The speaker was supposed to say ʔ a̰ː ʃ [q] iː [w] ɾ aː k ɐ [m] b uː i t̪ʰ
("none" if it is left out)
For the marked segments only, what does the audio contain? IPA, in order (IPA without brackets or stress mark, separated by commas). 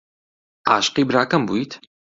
q, b, m